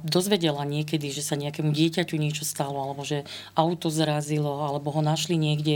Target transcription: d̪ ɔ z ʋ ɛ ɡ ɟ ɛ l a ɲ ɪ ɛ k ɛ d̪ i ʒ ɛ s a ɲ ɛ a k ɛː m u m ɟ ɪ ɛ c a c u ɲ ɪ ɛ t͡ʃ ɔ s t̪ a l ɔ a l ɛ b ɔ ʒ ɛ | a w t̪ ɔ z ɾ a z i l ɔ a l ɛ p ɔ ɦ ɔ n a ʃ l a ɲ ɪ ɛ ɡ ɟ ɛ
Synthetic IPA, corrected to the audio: d̪ ɔ z ʋ ɛ ɟ ɛ l a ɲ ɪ ɛ k ɛ d̪ i ʒ ɛ s a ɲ ɛ a k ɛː m u ɟ ɪ ɛ c a c u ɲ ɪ ɛ t͡ʃ ɔ s t̪ a l ɔ a l ɛ b ɔ ʒ ɛ | a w t̪ ɔ z ɾ a z i l ɔ a l ɛ b ɔ ɦ ɔ n a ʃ l i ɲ ɪ ɛ ɡ ɟ ɛ